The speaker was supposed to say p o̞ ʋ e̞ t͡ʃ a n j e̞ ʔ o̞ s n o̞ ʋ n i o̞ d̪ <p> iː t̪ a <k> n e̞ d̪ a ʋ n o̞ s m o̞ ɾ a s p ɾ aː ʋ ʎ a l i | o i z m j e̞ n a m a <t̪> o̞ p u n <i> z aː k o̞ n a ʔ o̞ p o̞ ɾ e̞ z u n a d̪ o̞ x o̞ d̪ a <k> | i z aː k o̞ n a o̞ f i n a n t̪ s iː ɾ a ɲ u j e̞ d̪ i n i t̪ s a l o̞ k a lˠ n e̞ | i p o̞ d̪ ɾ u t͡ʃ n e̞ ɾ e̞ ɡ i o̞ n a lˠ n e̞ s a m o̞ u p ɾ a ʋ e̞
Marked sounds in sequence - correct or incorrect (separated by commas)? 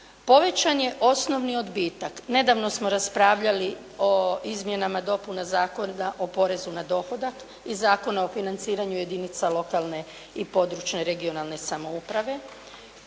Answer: incorrect, correct, incorrect, incorrect, correct